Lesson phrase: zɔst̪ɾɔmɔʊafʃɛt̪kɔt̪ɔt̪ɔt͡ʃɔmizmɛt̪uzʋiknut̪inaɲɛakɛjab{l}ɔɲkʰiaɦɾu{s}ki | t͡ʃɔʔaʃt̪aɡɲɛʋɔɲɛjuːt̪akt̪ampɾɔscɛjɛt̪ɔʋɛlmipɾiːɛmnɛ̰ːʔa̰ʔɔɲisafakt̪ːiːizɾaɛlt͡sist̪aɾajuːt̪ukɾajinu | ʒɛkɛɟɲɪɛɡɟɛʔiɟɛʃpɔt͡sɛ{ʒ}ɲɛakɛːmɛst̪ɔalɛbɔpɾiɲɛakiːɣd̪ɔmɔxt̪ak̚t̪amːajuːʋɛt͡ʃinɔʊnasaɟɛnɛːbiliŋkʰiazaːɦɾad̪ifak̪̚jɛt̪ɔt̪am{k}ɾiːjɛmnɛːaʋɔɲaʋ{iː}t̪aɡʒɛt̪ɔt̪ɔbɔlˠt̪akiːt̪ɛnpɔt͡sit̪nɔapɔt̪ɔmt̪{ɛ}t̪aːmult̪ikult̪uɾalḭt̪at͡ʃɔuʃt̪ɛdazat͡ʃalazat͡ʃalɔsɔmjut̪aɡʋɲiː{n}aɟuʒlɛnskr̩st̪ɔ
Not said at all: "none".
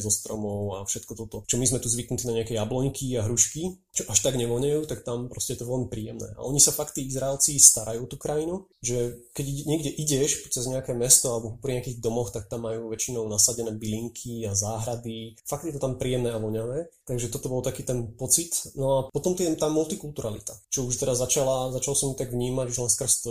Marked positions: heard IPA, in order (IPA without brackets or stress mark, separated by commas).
l, ʃ, z, p, ɛː, ɛ, m